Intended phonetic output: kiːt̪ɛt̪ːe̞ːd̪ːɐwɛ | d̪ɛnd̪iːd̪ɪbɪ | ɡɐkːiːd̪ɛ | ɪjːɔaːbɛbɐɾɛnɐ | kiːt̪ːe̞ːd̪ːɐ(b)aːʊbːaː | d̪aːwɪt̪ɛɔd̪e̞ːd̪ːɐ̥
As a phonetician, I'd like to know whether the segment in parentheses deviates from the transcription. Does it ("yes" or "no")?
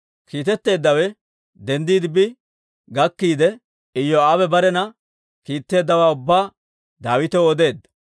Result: yes